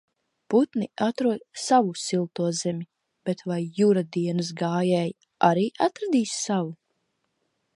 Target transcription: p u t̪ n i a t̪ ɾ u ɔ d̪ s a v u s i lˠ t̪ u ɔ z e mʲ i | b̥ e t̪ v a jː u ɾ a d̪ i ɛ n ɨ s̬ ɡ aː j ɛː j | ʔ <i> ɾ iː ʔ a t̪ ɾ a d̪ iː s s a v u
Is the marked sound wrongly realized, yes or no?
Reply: yes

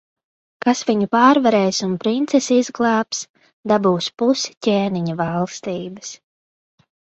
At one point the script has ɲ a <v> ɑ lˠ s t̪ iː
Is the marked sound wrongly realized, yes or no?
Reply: no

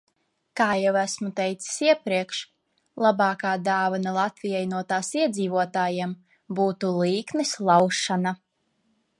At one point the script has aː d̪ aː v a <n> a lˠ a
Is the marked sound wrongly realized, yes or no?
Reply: no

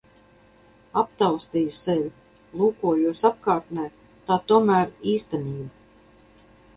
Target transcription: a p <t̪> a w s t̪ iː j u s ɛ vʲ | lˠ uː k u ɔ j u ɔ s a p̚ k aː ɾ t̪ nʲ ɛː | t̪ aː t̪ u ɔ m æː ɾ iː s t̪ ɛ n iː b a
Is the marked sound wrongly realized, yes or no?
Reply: no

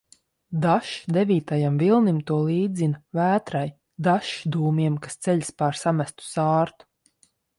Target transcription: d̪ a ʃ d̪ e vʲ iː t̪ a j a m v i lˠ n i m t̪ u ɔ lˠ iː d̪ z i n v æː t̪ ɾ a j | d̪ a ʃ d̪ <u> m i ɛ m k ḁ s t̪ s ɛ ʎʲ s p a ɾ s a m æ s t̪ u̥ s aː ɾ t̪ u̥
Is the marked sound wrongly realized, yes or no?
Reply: yes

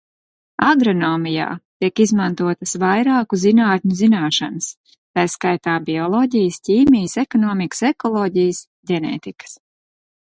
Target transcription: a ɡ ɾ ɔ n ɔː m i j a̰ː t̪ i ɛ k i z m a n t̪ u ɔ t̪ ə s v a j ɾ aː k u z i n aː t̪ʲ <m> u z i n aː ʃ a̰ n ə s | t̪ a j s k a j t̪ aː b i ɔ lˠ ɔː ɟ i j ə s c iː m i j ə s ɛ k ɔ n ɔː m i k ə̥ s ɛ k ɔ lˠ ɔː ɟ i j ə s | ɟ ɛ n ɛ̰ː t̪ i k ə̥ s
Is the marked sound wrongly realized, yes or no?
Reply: yes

